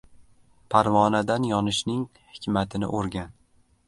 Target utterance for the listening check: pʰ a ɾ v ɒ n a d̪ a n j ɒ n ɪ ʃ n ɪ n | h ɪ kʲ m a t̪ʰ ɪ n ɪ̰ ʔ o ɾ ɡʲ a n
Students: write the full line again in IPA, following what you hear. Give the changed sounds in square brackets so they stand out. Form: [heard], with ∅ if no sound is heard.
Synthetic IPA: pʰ a ɾ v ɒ n a d̪ a n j ɒ n ɪ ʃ n ɪ [ŋ] | h ɪ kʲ m a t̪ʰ ɪ n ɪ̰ ʔ o ɾ ɡʲ a n